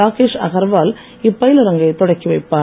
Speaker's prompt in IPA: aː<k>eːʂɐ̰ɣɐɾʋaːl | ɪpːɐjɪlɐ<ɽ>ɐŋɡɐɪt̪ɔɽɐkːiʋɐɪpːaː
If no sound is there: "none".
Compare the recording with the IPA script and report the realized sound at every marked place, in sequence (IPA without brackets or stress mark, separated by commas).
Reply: k, ɾ